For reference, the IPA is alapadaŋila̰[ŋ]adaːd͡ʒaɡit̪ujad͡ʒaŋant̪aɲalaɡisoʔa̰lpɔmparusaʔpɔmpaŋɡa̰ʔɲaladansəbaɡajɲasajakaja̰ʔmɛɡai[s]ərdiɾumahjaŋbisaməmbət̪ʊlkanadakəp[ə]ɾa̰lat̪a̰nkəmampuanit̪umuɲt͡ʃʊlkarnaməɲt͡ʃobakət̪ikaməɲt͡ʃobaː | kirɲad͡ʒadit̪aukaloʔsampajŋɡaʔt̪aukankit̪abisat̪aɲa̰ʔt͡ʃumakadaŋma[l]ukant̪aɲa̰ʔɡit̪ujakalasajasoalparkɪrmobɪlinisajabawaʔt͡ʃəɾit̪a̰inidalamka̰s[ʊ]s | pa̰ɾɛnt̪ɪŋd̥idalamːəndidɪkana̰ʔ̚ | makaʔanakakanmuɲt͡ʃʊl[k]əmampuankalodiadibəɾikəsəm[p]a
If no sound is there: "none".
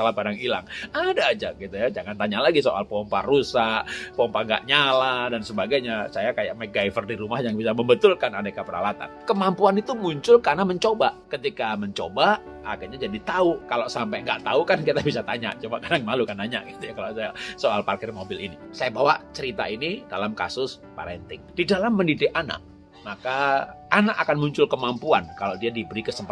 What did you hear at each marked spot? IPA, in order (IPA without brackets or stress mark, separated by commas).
ŋ, f, ə, l, ʊ, k, p